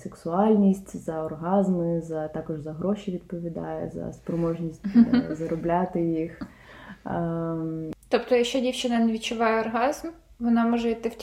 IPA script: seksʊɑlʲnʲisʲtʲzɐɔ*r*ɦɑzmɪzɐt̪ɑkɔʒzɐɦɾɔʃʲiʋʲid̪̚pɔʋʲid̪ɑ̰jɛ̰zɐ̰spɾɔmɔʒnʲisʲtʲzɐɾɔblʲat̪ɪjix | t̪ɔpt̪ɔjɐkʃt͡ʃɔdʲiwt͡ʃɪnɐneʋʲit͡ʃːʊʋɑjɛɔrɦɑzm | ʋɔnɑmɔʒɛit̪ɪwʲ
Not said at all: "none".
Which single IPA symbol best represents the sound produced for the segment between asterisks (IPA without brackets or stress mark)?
r